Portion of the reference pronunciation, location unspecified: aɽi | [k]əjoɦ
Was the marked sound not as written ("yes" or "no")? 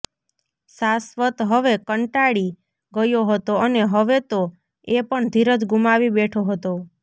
yes